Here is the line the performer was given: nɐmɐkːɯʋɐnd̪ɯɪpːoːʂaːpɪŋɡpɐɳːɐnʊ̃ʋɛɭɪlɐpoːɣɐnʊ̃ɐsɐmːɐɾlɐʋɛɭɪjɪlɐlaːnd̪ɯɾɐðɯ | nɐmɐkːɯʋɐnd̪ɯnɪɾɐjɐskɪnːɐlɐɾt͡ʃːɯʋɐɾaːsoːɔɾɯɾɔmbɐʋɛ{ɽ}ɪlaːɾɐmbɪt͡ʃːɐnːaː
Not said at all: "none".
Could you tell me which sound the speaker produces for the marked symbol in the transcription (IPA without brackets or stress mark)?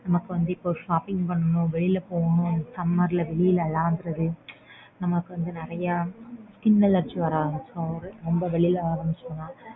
ɭ